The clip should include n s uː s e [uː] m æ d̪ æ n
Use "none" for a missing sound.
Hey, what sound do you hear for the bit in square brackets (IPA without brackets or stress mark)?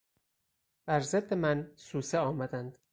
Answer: ɒː